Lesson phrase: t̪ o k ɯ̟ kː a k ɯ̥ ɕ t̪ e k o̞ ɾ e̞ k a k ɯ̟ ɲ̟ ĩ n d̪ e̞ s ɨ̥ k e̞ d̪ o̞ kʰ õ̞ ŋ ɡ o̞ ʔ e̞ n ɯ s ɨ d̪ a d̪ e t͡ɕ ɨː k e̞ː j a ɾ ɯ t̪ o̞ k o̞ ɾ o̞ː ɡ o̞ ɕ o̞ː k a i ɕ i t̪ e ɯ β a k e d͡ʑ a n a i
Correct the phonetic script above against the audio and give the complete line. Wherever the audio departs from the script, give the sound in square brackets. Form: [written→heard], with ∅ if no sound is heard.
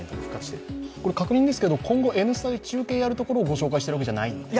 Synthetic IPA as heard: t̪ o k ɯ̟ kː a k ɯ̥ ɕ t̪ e k o̞ ɾ e̞ k a k ɯ̟ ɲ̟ ĩ n d̪ e̞ s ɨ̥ k e̞ d̪ o̞ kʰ õ̞ ŋ ɡ o̞ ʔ e̞ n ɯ s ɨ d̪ a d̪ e t͡ɕ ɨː k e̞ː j a ɾ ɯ t̪ o̞ k o̞ ɾ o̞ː ɡ o̞ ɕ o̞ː k a i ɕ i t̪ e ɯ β a k e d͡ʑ a n a i